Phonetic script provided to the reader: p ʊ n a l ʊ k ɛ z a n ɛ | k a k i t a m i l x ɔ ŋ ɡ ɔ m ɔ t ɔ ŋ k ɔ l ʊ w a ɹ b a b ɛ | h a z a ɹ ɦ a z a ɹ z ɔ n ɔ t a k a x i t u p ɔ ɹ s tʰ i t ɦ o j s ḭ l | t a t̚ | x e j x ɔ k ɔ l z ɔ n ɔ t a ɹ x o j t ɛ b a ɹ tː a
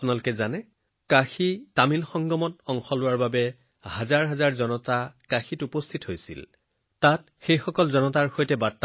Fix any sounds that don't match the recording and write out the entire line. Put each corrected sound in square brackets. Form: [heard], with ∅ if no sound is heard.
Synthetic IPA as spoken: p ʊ n a l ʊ k ɛ z a n ɛ | k a [x] i t a m i l x ɔ ŋ ɡ ɔ m ɔ t ɔ ŋ [x] ɔ l ʊ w a ɹ b a b ɛ | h a z a ɹ ɦ a z a ɹ z ɔ n ɔ t a k a x i t u p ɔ [∅] s tʰ i t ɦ o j s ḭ l | t a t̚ | x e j x ɔ k ɔ l z ɔ n ɔ t a ɹ x o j t ɛ b a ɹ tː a